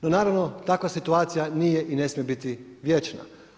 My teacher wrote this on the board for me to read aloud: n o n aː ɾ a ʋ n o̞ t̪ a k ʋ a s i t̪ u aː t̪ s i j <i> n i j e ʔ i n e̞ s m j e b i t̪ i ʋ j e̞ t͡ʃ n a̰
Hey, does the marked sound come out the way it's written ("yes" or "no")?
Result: no